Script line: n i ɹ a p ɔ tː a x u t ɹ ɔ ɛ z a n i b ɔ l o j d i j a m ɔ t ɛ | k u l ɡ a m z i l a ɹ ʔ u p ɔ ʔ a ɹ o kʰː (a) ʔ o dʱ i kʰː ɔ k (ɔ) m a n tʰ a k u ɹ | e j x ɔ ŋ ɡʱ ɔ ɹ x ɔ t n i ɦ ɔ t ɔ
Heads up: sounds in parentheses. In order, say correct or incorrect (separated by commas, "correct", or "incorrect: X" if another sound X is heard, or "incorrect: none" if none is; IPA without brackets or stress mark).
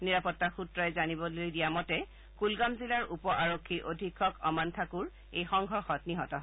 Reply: incorrect: i, correct